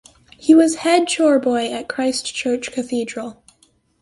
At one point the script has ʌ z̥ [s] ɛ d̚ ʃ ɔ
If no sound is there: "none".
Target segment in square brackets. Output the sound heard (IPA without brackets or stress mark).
h